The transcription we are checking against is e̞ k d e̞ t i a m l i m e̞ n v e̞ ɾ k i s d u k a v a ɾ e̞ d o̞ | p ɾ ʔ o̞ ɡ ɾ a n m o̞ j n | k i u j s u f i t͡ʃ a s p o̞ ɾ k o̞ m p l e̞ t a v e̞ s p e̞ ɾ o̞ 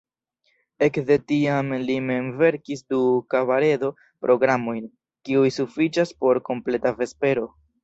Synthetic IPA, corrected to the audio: e̞ k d e̞ t i a m l i m e̞ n v e̞ ɾ k i s d u k a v a ɾ e̞ d o̞ | p ɾ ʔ o̞ ɡ ɾ a m o̞ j n | k i u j s u f i t͡ʃ a s p o̞ ɾ k o̞ m p l e̞ t a v e̞ s p e̞ ɾ o̞